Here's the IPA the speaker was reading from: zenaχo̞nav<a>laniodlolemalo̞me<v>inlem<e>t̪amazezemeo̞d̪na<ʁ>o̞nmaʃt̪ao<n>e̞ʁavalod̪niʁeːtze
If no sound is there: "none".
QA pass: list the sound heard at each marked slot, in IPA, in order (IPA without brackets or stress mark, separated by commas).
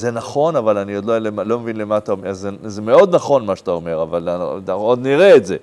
a, v, a, χ, m